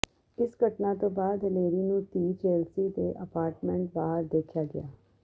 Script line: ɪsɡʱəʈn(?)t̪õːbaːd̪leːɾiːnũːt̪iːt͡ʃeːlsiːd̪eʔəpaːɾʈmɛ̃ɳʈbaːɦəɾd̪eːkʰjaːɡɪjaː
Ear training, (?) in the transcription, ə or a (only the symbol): a